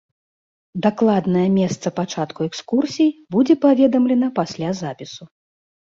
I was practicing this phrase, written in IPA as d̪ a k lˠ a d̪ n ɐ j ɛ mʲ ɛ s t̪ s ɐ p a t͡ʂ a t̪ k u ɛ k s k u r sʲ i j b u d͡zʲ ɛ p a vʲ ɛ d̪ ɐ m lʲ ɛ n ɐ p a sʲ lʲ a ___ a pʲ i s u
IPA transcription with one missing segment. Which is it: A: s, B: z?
B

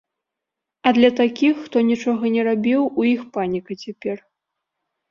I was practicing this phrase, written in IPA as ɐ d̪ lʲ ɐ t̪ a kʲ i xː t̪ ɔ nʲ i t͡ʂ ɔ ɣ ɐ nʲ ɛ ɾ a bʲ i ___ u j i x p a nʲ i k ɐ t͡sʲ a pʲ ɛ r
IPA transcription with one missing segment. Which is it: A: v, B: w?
B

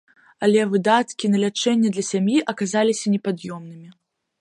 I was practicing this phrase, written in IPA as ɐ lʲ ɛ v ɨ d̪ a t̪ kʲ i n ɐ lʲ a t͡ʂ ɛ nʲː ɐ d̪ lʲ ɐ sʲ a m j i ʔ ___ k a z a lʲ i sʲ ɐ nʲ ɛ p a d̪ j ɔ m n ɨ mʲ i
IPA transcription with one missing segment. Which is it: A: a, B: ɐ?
B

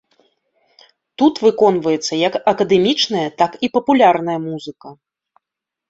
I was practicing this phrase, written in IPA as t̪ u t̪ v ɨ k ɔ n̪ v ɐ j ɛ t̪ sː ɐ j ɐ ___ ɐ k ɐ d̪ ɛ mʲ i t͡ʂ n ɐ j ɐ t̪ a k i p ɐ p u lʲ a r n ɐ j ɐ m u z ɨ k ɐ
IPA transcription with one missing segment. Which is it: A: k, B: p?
A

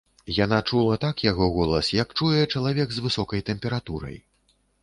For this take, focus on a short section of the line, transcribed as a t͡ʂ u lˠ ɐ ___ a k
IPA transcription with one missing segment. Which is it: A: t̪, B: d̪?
A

